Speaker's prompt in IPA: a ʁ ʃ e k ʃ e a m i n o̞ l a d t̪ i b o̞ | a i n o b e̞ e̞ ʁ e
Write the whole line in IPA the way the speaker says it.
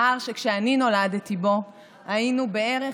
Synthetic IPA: a ʁ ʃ e k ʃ e a n i n o̞ l a d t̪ i b o̞ | a i n u b e̞ e̞ ʁ e